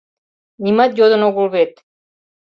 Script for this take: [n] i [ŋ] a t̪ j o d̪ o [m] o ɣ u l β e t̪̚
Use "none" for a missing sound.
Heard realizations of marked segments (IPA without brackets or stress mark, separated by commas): n, m, n